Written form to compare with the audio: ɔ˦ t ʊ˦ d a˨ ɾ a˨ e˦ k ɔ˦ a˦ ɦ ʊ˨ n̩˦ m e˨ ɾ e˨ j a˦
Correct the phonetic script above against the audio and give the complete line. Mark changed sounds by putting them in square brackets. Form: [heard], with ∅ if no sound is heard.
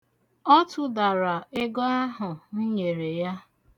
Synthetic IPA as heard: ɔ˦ t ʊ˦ d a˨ ɾ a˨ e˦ [ɡ] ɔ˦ a˦ ɦ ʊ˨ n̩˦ [ɲ] e˨ ɾ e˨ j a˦